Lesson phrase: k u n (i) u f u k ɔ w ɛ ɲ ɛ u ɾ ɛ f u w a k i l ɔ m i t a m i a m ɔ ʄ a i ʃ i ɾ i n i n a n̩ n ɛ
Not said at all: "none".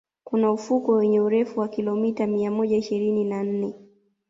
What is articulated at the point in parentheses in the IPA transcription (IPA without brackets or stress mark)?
a